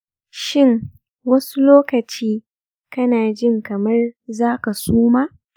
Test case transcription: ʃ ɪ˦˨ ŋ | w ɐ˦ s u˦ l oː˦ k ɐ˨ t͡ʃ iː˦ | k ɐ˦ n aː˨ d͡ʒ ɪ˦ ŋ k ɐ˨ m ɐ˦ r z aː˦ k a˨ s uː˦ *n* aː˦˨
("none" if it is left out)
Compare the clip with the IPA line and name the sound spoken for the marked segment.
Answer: m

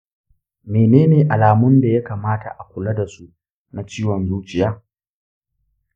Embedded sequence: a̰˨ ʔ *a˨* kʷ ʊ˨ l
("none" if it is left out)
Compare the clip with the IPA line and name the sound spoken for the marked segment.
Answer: a˨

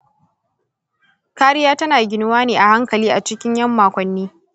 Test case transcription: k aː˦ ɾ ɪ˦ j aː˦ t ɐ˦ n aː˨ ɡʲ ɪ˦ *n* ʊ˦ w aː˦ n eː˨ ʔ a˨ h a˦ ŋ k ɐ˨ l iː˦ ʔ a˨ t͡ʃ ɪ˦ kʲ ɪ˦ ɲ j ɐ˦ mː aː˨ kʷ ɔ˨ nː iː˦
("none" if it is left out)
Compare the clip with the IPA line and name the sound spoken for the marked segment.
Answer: n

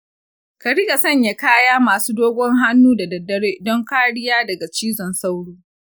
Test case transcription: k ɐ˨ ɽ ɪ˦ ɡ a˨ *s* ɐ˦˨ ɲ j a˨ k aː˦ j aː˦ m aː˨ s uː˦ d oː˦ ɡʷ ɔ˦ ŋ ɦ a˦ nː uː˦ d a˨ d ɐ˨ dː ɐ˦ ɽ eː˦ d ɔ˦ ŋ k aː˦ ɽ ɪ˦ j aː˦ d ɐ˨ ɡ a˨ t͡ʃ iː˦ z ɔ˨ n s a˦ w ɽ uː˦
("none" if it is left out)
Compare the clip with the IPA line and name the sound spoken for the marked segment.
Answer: s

